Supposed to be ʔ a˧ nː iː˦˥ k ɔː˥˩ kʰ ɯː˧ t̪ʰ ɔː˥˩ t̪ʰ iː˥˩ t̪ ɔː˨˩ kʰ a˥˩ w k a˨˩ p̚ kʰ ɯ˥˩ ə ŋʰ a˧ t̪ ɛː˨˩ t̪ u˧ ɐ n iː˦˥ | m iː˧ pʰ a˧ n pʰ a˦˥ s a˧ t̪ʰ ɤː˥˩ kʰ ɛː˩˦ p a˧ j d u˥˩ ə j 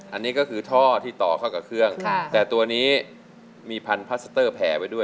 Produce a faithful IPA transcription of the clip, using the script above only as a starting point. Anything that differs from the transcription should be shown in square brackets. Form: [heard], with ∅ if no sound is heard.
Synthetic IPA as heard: ʔ a˧ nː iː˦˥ k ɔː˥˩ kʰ ɯː˧ t̪ʰ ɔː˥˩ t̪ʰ iː˥˩ t̪ ɔː˨˩ kʰ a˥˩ w k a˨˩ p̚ kʰ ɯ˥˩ ə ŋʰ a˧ t̪ ɛː˨˩ t̪ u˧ ɐ n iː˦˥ | m iː˧ pʰ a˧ n pʰ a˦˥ s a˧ [t̪] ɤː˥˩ [pʰ] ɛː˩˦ p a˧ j d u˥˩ ə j